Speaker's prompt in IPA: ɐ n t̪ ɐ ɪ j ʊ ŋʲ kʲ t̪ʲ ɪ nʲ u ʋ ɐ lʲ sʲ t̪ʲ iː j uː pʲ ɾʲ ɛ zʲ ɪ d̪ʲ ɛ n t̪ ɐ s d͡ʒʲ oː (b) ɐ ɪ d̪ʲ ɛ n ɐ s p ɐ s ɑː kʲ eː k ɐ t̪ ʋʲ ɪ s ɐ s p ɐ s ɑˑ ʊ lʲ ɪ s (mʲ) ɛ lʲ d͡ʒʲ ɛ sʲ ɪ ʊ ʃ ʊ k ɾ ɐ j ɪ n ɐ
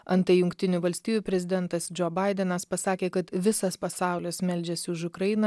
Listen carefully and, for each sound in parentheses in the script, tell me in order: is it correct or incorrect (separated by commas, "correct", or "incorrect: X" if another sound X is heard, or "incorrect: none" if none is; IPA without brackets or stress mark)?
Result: correct, correct